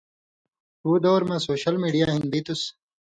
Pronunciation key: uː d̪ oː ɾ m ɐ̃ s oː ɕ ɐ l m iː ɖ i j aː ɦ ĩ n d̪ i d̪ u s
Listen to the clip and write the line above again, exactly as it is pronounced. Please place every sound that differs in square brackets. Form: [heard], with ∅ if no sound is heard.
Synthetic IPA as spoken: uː d̪ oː ɾ m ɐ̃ s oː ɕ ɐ l m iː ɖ i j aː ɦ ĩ n d̪ i [t̪] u s